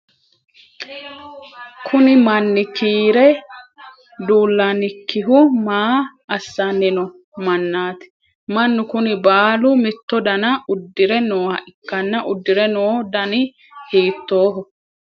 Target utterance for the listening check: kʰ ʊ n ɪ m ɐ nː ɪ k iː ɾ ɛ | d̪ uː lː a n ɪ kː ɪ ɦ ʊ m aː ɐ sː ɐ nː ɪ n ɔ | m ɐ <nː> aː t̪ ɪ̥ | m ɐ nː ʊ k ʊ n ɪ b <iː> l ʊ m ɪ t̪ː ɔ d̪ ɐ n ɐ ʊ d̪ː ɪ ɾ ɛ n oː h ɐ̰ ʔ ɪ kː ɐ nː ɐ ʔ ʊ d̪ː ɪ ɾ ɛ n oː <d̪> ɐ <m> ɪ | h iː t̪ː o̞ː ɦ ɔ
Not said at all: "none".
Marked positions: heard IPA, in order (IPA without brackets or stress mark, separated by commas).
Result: nː, aː, d̪, n